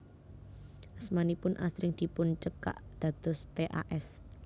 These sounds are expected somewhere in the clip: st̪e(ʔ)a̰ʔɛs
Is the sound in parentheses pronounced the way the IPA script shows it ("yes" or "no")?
yes